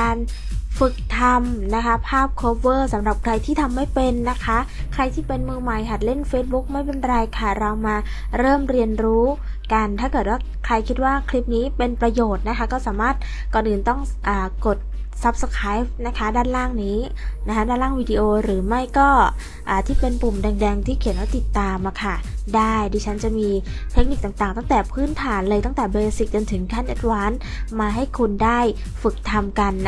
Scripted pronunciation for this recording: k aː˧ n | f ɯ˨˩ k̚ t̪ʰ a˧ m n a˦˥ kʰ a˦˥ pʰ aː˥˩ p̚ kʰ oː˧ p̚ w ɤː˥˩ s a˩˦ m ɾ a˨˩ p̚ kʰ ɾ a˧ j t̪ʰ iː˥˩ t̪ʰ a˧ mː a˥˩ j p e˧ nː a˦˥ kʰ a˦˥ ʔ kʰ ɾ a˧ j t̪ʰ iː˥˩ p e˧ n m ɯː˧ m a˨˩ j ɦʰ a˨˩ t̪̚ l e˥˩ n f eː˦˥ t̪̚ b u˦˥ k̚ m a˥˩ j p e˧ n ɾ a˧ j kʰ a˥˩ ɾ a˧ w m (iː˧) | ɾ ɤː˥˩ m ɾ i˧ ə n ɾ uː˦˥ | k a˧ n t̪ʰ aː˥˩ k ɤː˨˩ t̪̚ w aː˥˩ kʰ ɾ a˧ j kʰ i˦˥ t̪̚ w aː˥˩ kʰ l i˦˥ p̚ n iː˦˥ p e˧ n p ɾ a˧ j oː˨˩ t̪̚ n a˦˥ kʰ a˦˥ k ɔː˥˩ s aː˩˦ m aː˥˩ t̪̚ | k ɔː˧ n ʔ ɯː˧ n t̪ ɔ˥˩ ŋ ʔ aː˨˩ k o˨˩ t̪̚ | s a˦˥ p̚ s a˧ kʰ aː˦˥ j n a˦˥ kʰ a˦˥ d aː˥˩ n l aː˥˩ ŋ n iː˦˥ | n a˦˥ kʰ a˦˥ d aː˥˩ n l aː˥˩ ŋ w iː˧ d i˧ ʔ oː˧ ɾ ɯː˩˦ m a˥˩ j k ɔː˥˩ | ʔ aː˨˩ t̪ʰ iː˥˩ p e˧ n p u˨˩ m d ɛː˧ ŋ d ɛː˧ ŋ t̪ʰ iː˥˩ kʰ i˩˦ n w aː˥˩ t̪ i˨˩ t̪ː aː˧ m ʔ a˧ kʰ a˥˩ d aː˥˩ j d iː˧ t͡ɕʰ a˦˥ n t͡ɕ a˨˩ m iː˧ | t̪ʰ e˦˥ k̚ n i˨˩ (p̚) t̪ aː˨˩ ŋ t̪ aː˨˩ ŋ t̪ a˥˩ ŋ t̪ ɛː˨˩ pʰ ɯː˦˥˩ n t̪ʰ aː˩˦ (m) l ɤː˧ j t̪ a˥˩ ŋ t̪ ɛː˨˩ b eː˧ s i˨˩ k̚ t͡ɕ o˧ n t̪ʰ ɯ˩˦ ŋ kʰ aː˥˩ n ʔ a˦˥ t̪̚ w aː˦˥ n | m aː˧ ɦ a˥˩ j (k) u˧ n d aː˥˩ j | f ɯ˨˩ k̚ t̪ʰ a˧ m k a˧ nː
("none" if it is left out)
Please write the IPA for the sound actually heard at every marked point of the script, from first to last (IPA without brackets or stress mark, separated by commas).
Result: aː˧, k̚, n, kʰ